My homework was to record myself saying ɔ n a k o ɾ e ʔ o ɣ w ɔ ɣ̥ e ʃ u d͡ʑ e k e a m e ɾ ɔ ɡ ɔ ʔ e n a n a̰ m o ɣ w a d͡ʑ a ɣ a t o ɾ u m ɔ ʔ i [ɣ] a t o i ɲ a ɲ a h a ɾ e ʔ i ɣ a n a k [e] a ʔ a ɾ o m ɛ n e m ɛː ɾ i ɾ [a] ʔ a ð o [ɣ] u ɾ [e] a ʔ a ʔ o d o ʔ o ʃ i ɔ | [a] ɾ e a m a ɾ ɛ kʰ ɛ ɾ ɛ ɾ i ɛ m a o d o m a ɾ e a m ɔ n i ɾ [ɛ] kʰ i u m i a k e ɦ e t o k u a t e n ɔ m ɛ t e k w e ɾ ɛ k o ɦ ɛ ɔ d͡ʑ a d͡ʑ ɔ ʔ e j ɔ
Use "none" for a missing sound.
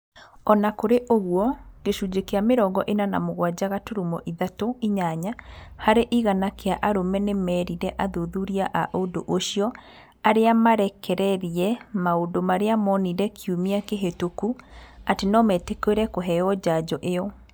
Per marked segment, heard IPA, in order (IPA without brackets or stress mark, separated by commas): ð, e, ɛ, ð, i, a, ɛ